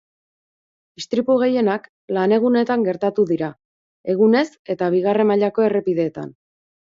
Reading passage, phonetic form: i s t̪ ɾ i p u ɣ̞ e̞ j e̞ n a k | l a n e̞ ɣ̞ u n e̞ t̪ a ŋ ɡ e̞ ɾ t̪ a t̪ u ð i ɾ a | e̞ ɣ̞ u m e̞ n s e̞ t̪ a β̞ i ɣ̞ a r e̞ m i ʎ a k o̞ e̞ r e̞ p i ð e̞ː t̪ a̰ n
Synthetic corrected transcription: i s t̪ ɾ i p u ɣ̞ e̞ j e̞ n a k | l a n e̞ ɣ̞ u n e̞ t̪ a ŋ ɡ e̞ ɾ t̪ a t̪ u ð i ɾ a | e̞ ɣ̞ u n e̞ s e̞ t̪ a β̞ i ɣ̞ a r e̞ m a ʎ a k o̞ e̞ r e̞ p i ð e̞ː t̪ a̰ n